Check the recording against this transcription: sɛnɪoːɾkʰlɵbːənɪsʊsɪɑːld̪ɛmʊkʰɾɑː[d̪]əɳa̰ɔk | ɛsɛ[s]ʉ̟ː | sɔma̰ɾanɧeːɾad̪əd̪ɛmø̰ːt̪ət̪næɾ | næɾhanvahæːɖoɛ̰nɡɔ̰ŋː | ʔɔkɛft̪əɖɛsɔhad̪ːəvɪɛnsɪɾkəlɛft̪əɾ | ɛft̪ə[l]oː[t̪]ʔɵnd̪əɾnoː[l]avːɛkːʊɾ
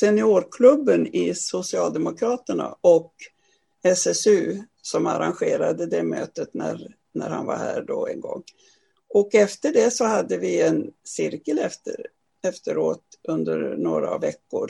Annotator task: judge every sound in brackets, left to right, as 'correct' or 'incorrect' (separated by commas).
incorrect, correct, incorrect, correct, incorrect